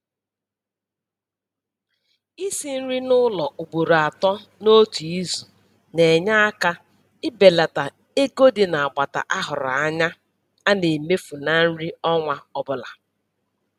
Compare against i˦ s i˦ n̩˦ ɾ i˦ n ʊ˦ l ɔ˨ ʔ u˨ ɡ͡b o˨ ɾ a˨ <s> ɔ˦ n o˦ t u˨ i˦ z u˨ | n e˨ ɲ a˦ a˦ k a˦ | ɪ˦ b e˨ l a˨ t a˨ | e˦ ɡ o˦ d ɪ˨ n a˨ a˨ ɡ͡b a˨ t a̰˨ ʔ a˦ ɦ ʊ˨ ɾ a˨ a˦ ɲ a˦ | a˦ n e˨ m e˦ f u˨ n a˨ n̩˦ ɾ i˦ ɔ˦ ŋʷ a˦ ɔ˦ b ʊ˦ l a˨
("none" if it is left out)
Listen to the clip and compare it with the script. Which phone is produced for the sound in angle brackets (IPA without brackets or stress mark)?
t